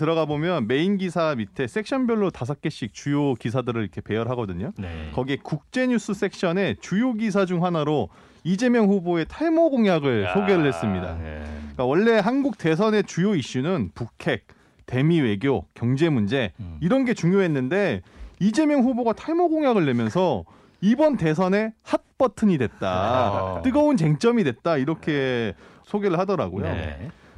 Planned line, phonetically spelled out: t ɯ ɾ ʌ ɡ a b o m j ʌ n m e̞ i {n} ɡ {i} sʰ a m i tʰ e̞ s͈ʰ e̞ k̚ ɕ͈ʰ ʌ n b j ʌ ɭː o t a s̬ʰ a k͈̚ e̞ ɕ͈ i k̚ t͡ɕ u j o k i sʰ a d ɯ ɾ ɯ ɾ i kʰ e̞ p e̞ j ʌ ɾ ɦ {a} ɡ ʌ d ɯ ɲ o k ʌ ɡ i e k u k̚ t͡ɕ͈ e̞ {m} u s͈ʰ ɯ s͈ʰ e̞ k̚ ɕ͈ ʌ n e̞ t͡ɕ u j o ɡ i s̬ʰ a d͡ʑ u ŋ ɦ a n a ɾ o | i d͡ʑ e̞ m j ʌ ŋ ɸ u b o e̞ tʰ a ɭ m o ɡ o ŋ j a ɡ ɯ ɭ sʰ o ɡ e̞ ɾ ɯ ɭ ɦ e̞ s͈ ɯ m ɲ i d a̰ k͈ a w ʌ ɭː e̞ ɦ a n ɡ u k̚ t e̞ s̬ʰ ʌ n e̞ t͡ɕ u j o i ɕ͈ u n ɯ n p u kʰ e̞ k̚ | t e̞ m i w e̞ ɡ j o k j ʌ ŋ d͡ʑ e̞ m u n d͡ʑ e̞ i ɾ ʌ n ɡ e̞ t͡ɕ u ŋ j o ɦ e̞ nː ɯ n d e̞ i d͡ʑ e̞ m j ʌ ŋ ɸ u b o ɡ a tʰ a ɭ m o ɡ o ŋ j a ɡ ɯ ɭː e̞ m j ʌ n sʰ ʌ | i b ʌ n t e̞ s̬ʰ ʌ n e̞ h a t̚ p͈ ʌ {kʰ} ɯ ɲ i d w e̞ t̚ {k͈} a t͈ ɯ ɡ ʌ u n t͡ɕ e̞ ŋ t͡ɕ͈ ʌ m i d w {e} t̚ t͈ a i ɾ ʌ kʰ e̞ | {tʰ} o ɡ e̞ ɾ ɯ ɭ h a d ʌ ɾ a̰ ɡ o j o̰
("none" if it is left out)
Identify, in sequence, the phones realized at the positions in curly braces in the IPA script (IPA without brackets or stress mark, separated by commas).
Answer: n, i, a, ɲ, tʰ, t͈, e, sʰ